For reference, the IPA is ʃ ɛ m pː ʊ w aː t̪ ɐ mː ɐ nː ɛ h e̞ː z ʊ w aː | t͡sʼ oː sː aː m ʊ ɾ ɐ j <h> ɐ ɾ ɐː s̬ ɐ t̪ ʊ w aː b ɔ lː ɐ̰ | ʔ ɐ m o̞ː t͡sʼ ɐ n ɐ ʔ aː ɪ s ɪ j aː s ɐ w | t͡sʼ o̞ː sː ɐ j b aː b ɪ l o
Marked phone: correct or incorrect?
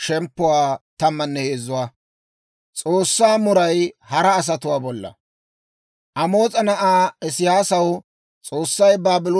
correct